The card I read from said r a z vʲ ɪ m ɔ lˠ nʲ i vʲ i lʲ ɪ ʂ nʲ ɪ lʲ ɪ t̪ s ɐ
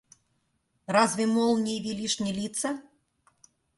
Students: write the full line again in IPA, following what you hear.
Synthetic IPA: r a z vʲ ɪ m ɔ lˠ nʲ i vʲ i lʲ i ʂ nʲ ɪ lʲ i t̪ s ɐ